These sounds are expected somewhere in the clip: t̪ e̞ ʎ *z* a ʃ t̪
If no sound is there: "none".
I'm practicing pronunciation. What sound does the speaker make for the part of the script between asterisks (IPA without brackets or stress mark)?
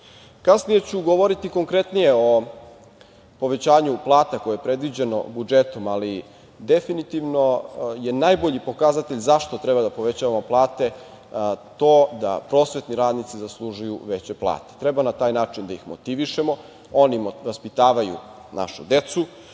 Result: z